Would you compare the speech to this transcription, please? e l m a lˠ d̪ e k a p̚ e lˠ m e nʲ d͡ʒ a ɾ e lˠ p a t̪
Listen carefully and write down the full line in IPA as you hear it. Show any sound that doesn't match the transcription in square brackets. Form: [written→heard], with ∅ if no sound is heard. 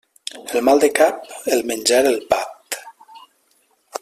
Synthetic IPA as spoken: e l m a lˠ d̪ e k a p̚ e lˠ m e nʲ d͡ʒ a ɾ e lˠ p a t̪